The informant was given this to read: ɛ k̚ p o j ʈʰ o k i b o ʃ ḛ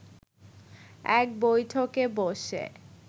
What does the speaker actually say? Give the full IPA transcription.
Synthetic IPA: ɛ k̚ b o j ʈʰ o k e b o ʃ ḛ